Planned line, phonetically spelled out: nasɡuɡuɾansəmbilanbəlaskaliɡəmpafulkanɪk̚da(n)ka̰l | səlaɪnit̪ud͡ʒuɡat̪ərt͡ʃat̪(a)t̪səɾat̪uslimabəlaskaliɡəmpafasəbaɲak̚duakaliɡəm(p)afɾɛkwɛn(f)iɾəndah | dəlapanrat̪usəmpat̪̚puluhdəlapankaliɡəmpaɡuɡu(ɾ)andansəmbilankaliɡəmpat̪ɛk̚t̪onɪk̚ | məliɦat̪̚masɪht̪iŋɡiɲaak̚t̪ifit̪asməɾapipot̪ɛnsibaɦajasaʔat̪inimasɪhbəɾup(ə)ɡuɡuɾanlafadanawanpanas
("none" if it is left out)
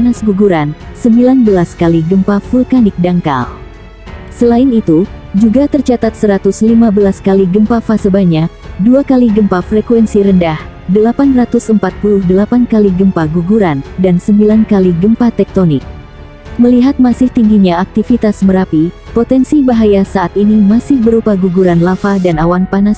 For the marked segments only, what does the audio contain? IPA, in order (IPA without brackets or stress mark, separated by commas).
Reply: ŋ, a, p, s, ɾ, a